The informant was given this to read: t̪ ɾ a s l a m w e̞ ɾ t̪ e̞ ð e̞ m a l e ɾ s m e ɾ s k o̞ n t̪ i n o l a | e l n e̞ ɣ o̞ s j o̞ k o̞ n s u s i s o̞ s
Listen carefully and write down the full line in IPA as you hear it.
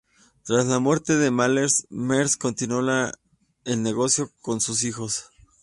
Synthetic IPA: t̪ ɾ a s l a m w e̞ ɾ t̪ e̞ ð e̞ m a l e ɾ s m e ɾ s k o̞ n t̪ i n o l a | e l n e̞ ɣ o̞ s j o̞ k o̞ n s u s i x o̞ s

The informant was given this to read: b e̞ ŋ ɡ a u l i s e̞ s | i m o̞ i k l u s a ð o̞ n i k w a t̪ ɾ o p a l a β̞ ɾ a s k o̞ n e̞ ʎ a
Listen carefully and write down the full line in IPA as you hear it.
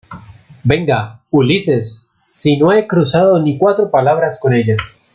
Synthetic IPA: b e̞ ŋ ɡ a u l i s e̞ sː | i n o̞ e k ɾ u s a ð o̞ n i k w a t̪ ɾ o p a l a β̞ ɾ a s k o̞ n e̞ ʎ a

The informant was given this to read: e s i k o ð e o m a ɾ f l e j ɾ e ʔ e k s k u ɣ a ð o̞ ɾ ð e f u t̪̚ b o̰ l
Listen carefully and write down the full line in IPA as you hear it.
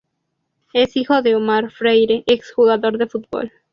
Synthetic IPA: e s i x o ð e o m a ɾ f ɾ e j ɾ e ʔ e k s x u ɣ a ð o̞ ɾ ð e f u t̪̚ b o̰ l

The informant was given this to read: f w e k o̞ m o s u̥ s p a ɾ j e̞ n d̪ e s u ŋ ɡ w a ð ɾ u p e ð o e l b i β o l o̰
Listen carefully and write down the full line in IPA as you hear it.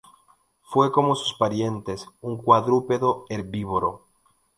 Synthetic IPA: f w e k o̞ m o s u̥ s p a ɾ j e̞ n t̪ e s u ŋ k w a ð ɾ u p e ð o e ɾ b i β o ɾ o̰

